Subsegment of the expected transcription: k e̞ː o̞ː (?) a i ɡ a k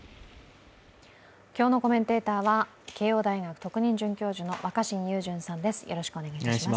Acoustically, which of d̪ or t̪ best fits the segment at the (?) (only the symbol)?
d̪